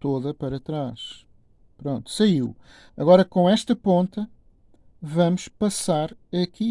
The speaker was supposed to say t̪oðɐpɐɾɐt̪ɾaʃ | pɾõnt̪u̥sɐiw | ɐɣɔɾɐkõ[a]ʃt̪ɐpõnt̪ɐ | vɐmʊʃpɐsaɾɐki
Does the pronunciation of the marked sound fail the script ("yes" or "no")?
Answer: yes